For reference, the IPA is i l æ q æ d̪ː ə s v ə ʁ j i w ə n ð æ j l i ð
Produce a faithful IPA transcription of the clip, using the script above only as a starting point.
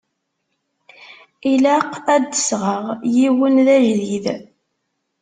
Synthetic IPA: i l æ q æ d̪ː ə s ʁ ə ʁ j i w ə n ð æ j l i ð